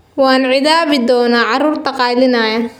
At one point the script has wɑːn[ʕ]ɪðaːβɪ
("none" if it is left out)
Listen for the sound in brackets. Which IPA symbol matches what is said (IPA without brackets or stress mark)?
ʕ